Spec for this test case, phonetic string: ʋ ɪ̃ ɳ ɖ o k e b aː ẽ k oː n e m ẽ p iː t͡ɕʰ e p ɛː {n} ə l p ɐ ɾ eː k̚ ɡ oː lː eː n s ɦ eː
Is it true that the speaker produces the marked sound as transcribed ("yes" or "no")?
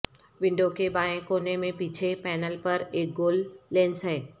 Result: yes